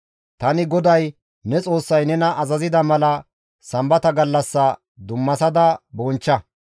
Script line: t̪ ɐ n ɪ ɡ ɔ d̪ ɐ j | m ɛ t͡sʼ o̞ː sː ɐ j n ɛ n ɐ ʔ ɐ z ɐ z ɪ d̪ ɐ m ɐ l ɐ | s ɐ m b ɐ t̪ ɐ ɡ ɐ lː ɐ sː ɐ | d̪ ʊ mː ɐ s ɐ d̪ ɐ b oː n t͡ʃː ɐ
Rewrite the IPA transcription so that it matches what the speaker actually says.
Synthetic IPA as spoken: t̪ ɐ n ɪ ɡ ɔ d̪ ɐ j | n ɛ t͡sʼ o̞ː sː ɐ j n ɛ n ɐ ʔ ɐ z ɐ z ɪ d̪ ɐ m ɐ l ɐ | s ɐ m b ɐ t̪ ɐ ɡ ɐ lː ɐ sː ɐ | d̪ ʊ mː ɐ s ɐ d̪ ɐ b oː n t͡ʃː ɐ